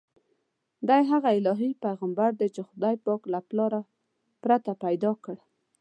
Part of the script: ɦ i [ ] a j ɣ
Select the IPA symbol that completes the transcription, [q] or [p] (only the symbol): p